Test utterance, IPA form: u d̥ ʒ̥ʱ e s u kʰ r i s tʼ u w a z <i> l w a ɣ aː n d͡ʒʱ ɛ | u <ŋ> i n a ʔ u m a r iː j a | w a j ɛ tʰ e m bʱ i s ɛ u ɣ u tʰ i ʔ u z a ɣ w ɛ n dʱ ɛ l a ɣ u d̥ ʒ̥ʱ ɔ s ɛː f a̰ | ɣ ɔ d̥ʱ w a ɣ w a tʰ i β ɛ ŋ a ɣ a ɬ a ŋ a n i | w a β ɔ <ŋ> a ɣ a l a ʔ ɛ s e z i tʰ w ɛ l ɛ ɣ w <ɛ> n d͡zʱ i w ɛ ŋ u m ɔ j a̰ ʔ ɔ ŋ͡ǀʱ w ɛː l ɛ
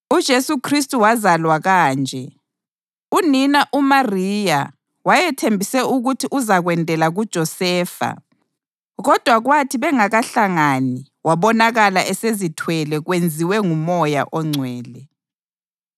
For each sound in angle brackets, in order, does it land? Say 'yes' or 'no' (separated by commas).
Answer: no, no, no, no